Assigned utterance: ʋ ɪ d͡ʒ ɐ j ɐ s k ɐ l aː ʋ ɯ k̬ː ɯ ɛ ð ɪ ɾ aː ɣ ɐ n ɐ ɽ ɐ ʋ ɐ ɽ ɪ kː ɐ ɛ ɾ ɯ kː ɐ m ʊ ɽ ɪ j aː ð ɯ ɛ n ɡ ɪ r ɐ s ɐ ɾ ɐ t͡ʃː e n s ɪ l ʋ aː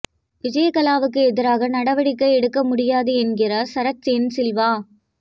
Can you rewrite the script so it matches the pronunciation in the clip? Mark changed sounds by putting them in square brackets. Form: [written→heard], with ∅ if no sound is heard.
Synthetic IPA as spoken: ʋ ɪ d͡ʒ ɐ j ɐ [s→∅] k ɐ l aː ʋ ɯ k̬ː ɯ ɛ ð ɪ ɾ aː ɣ ɐ n ɐ ɽ ɐ ʋ ɐ ɽ ɪ kː ɐ ɛ [ɾ→ɽ] ɯ kː ɐ m ʊ ɽ ɪ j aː ð ɯ ɛ n ɡ ɪ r ɐ s ɐ ɾ ɐ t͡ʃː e n s ɪ l ʋ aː

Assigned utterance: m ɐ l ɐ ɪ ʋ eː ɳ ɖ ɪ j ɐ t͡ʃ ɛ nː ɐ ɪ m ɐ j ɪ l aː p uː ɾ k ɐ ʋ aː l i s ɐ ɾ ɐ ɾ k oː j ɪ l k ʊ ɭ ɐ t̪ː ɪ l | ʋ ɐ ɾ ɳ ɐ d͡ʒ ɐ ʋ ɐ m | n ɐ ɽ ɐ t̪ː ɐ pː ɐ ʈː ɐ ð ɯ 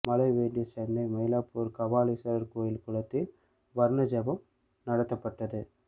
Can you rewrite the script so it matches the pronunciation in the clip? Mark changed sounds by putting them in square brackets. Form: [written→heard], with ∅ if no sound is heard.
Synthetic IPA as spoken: m ɐ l ɐ ɪ ʋ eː ɳ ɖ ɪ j ɐ t͡ʃ ɛ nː ɐ ɪ m ɐ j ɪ l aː p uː ɾ k ɐ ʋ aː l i s ɐ ɾ ɐ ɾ k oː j ɪ l k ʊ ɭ ɐ t̪ː ɪ l | ʋ ɐ ɾ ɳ ɐ d͡ʒ ɐ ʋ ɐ m | n ɐ ɽ ɐ t̪ː ɐ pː ɐ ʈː ɐ ð ɯ

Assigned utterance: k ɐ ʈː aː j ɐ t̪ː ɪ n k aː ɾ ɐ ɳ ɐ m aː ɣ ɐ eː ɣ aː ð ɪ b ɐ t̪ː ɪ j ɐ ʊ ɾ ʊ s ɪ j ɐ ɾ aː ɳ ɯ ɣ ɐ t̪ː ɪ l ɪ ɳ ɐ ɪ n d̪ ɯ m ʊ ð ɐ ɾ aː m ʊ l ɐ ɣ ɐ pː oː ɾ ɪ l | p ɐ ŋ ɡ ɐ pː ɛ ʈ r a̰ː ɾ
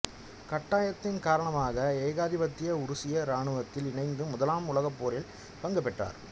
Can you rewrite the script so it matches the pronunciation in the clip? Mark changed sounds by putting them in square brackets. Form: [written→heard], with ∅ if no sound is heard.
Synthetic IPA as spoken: k ɐ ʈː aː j ɐ t̪ː ɪ n k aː ɾ ɐ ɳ ɐ m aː ɣ ɐ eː ɣ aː ð ɪ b ɐ t̪ː ɪ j ɐ ʊ ɾ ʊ s ɪ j ɐ ɾ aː ɳ ɯ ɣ ɐ t̪ː ɪ l ɪ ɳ ɐ ɪ n d̪ ɯ m ʊ ð ɐ [ɾ→l] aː m ʊ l ɐ ɣ ɐ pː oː ɾ ɪ l | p ɐ ŋ ɡ ɐ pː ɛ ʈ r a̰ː ɾ

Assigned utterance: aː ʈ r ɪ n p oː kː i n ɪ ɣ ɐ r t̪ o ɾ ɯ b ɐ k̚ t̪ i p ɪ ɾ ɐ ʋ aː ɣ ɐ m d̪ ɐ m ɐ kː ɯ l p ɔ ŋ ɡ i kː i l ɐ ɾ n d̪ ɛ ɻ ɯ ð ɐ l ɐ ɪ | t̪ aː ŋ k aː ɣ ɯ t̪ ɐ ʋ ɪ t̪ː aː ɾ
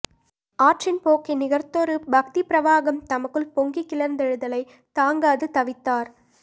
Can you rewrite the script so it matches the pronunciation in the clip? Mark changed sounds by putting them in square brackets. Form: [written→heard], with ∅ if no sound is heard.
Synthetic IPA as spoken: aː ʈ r ɪ n p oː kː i n ɪ ɣ ɐ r t̪ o ɾ ɯ b ɐ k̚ t̪ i p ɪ ɾ ɐ ʋ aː ɣ ɐ m [d̪→t̪] ɐ m ɐ kː ɯ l p ɔ ŋ ɡ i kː [i→ɪ] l ɐ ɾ n d̪ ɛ ɻ ɯ ð ɐ l ɐ ɪ | t̪ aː ŋ [k→ɡ] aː [ɣ→ð] ɯ t̪ ɐ ʋ ɪ t̪ː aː ɾ

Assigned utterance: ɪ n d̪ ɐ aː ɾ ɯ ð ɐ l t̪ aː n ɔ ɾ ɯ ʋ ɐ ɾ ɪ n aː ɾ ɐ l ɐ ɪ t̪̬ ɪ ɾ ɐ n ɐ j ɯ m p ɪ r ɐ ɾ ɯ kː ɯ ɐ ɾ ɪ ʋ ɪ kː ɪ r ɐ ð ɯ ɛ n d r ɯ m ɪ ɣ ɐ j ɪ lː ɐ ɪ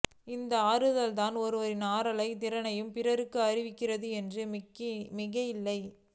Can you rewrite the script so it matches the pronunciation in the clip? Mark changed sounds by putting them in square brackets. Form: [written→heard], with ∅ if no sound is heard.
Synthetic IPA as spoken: ɪ n d̪ ɐ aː ɾ ɯ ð ɐ l t̪ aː n ɔ ɾ ɯ ʋ ɐ ɾ ɪ n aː ɾ ɐ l ɐ ɪ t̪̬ ɪ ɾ ɐ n ɐ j ɯ m p ɪ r ɐ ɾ ɯ kː ɯ ɐ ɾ ɪ ʋ ɪ kː ɪ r ɐ ð ɯ ɛ n d r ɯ m ɪ ɣ ɐ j ɪ lː ɐ ɪ

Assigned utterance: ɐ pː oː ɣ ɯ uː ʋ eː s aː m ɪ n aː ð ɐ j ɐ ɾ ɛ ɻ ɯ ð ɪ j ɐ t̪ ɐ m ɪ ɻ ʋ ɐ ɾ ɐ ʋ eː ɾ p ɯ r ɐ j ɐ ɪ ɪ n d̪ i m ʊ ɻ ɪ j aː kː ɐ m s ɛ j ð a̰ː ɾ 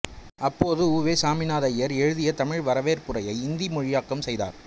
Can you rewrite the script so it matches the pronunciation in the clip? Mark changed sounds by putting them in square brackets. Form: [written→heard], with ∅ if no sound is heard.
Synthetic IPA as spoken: ɐ pː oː [ɣ→ð] ɯ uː ʋ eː s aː m ɪ n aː ð ɐ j ɐ ɾ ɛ ɻ ɯ ð ɪ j ɐ t̪ ɐ m ɪ ɻ ʋ ɐ ɾ ɐ ʋ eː ɾ p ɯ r ɐ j ɐ ɪ ɪ n d̪ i m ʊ ɻ ɪ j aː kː ɐ m s ɛ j ð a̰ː ɾ

